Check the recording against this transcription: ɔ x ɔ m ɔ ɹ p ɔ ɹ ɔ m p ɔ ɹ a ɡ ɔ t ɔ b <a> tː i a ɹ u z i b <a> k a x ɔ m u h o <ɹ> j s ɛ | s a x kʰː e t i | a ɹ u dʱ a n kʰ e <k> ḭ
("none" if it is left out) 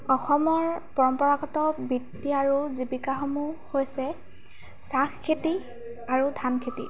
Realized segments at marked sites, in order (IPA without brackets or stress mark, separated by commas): i, i, none, t